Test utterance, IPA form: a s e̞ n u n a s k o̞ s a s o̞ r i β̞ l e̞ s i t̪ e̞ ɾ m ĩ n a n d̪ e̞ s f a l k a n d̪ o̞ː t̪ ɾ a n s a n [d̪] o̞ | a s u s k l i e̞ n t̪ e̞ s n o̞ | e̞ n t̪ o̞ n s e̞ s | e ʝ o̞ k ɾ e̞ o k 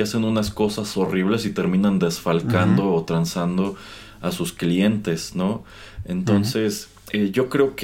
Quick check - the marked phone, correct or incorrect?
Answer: correct